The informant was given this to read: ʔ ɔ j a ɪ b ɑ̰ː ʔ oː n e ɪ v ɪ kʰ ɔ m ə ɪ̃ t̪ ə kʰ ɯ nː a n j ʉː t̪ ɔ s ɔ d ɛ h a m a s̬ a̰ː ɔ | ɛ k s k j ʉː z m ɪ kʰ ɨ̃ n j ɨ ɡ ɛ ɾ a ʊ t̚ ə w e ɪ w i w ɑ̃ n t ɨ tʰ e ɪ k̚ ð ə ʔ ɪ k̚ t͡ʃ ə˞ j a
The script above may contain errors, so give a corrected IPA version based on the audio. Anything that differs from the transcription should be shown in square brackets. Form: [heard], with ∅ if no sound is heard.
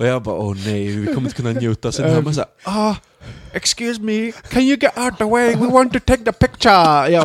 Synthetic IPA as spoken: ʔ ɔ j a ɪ b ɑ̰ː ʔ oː n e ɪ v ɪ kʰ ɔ m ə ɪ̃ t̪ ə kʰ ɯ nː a n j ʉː t̪ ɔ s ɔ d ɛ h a m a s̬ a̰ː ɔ | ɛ k s k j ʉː z m [i] kʰ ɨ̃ n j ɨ ɡ ɛ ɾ a ʊ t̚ ə w e ɪ w i w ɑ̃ n t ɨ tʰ e ɪ k̚ ð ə [p] ɪ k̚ t͡ʃ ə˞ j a